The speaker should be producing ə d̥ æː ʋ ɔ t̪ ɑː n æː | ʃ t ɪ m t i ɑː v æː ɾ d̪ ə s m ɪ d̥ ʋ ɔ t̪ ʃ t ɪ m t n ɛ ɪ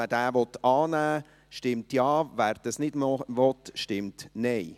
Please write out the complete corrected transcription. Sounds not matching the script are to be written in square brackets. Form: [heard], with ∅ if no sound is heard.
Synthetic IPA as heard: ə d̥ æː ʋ ɔ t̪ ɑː n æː | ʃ t ɪ m t [j] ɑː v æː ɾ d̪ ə s [n] ɪ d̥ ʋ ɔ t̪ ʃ t ɪ m t n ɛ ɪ